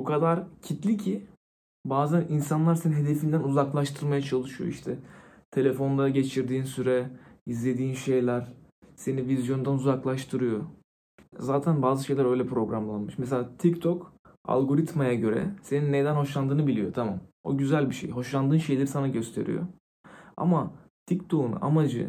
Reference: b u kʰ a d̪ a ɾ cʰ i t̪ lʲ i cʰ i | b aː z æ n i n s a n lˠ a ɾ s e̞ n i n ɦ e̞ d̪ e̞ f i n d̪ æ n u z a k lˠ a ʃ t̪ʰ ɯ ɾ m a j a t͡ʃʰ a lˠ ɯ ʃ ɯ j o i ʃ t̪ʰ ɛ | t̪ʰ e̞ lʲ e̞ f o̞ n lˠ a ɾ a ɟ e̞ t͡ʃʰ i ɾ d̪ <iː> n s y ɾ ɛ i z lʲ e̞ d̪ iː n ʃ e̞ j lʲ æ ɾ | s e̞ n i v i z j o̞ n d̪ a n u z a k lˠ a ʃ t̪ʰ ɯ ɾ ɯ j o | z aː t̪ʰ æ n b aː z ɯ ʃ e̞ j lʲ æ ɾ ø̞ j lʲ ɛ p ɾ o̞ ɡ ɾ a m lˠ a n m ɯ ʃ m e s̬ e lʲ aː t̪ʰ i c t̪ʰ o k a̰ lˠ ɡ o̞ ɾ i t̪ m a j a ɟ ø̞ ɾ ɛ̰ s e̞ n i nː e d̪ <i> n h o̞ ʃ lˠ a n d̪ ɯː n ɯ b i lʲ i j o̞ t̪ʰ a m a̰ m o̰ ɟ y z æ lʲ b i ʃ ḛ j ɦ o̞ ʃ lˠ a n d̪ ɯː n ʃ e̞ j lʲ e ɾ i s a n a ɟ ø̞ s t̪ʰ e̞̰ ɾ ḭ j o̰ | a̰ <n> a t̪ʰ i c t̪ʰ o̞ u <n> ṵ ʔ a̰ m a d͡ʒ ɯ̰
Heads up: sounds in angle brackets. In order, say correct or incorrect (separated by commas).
correct, incorrect, incorrect, correct